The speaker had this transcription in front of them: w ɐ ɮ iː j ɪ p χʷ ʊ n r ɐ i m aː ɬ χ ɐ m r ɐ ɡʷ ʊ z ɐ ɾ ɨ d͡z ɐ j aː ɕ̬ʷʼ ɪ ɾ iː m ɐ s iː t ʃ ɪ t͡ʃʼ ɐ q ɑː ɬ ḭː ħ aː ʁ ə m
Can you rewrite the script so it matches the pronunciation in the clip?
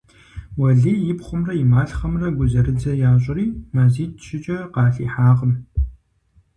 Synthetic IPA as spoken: w ɐ ɮ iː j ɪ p χʷ ʊ m r ɐ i m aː ɬ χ ɐ m r ɐ ɡʷ ʊ z ɐ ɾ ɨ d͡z ɐ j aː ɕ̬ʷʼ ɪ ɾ iː m ɐ z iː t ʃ ɪ t͡ʃʼ ɐ q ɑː ɬ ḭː ħ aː ʁ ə m

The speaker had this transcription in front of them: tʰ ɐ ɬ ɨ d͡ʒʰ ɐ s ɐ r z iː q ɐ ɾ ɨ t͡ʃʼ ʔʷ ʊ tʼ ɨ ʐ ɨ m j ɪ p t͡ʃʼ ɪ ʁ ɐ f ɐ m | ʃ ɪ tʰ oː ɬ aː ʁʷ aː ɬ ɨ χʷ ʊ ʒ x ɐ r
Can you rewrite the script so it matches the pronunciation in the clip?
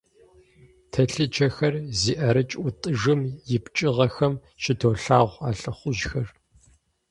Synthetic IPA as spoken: tʰ ɐ ɬ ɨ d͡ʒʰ ɐ x ɐ r z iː ʔ ɐ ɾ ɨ t͡ʃʼ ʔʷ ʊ tʼ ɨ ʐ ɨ m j ɪ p t͡ʃʼ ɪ ʁ ɐ x ɐ m | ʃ ɪ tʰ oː ɬ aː ʁʷ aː ɬ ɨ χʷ ʊ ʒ x ɐ r

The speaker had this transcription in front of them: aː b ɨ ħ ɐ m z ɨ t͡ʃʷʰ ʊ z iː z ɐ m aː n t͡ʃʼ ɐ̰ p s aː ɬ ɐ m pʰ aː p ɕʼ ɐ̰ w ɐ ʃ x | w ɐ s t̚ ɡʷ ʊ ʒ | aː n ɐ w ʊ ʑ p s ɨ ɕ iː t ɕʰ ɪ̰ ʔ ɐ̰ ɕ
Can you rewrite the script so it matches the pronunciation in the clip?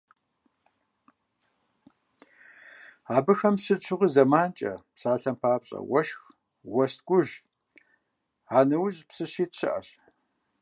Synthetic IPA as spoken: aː b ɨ x ɐ m s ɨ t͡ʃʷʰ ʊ ʁ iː z ɐ m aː n t͡ʃʼ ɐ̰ p s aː ɬ ɐ m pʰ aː p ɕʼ ɐ̰ w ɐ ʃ x | w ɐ s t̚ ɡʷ ʊ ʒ | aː n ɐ w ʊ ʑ p s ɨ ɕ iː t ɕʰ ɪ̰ ʔ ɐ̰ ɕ

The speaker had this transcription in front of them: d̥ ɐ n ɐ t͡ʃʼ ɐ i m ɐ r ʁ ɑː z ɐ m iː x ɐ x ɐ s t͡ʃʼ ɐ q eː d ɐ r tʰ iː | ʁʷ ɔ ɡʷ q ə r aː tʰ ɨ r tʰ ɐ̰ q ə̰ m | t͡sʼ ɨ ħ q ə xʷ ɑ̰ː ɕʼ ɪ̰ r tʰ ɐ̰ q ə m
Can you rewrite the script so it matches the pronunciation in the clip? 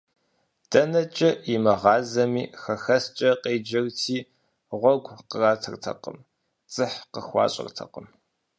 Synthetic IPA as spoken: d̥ ɐ n ɐ t͡ʃʼ ɐ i m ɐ ʁ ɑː z ɐ m iː x ɐ x ɐ s t͡ʃʼ ɐ q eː d͡ʒ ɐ r tʰ iː | ʁʷ ɔ ɡʷ q ə r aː tʰ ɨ r tʰ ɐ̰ q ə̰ m | t͡sʼ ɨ ħ q ə xʷ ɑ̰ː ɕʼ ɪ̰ r tʰ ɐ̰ q ə m

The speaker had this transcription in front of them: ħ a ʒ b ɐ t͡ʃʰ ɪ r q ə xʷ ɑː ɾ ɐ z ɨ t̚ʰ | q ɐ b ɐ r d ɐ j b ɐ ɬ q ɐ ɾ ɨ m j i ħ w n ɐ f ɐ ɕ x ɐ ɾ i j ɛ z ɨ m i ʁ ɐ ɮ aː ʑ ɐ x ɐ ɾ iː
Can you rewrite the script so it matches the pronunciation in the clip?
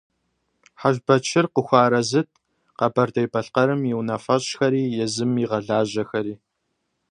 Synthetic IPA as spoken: ħ a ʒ b ɐ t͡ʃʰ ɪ r q ə xʷ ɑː ɾ ɐ z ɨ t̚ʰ | q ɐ b ɐ r d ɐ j b ɐ ɬ q ɐ ɾ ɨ m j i w n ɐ f ɐ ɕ x ɐ ɾ iː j ɛ z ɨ m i ʁ ɐ ɮ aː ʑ ɐ x ɐ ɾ iː

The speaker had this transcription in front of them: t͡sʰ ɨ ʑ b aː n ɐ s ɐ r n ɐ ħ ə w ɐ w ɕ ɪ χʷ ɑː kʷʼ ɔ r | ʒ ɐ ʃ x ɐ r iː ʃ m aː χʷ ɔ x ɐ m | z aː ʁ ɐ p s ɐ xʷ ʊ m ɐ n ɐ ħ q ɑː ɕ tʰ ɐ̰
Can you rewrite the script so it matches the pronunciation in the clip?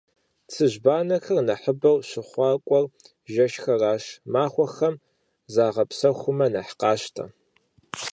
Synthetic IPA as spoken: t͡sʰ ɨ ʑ b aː n ɐ x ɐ r n ɐ ħ ə b ɐ w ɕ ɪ χʷ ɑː kʷʼ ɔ r | ʒ ɐ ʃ x ɐ r aː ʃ m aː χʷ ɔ x ɐ m | z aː ʁ ɐ p s ɐ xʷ ʊ m ɐ n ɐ ħ q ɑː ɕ tʰ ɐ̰

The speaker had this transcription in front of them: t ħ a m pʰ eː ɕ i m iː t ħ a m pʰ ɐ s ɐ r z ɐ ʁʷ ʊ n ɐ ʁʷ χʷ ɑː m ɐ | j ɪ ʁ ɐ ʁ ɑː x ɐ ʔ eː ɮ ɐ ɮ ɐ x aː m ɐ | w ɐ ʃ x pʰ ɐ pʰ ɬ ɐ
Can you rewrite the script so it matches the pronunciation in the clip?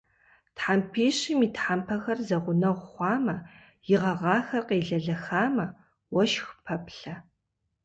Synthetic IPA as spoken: t ħ a m pʰ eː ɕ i m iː t ħ a m pʰ ɐ x ɐ r z ɐ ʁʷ ʊ n ɐ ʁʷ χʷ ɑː m ɐ | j ɪ ʁ ɐ ʁ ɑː x ɐ q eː ɮ ɐ ɮ ɐ x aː m ɐ | w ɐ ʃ x pʰ ɐ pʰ ɬ ɐ

